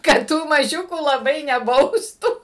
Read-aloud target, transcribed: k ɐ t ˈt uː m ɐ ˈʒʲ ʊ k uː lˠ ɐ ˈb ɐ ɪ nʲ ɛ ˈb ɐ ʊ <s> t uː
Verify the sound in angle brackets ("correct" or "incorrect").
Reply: correct